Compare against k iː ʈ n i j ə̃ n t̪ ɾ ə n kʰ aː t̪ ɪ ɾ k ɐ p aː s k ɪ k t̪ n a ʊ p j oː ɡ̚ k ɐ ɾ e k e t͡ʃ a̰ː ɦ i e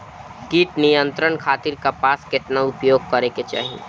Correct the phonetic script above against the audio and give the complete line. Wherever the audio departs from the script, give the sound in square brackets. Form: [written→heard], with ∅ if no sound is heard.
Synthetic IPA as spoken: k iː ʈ n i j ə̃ n t̪ ɾ ə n kʰ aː t̪ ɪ ɾ k [ɐ→a] p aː s k ɪ [k→∅] t̪ n a ʊ p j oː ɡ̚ k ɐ ɾ e k e t͡ʃ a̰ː ɦ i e